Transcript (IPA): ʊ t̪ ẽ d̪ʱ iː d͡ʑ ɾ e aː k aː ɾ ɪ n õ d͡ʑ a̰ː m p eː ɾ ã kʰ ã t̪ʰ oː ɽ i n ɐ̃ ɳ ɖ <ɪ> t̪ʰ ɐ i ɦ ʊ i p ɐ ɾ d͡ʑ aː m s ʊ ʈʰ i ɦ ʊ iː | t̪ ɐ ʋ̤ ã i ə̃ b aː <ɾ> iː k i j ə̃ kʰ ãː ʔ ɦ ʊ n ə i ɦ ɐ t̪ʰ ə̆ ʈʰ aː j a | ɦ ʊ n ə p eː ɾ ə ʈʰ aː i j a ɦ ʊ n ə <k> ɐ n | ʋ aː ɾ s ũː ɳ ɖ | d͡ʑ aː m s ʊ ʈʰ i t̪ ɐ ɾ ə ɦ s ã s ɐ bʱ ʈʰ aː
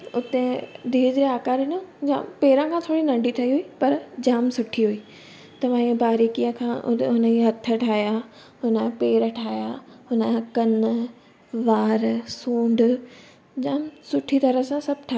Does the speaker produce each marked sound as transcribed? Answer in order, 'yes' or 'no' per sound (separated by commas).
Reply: no, yes, yes